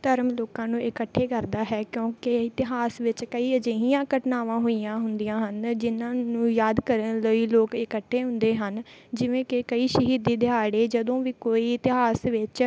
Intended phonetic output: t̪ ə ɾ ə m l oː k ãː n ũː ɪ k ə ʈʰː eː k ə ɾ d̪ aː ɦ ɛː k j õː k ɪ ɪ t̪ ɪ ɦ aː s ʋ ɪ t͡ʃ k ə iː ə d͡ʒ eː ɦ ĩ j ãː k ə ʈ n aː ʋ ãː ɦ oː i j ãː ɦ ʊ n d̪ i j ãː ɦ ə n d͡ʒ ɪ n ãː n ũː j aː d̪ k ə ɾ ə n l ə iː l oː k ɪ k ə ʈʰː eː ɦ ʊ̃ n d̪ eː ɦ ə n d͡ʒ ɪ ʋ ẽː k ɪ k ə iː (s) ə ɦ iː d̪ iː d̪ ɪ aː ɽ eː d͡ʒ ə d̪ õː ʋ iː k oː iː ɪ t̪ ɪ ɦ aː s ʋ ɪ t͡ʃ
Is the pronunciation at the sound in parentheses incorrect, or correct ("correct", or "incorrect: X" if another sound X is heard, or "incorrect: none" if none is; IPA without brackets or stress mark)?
incorrect: ʃ